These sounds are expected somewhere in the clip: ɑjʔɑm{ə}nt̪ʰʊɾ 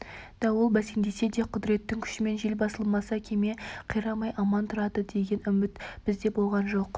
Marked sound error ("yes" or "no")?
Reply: yes